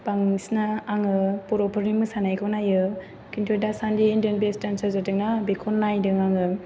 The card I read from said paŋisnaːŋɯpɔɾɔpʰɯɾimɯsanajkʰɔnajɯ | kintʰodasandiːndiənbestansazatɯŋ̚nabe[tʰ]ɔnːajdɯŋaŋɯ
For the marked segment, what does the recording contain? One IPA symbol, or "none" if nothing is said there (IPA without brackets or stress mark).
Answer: kʰ